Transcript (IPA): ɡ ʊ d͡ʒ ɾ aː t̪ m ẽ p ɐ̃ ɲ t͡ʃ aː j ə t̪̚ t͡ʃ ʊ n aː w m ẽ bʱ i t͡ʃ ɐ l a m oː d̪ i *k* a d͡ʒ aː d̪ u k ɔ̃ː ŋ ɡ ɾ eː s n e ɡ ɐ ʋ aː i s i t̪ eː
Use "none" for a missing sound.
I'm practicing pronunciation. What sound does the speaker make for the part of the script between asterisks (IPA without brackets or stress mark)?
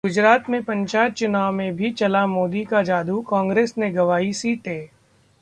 k